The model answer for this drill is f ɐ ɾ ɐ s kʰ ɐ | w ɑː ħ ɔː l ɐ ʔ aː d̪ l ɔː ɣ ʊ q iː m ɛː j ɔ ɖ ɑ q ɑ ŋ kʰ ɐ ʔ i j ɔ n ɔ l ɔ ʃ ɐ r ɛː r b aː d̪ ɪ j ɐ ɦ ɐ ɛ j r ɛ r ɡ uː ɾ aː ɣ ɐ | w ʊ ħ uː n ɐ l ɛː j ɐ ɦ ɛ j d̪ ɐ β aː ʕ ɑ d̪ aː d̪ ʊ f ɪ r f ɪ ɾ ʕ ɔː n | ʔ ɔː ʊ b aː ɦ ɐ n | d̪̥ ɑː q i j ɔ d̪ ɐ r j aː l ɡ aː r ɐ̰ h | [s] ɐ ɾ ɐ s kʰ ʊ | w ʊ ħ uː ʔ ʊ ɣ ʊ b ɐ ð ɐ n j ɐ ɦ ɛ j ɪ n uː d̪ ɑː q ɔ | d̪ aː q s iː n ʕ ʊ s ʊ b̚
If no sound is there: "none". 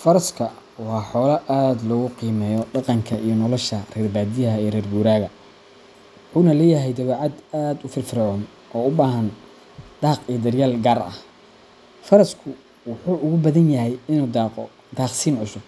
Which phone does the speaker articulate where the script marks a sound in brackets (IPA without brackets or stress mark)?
f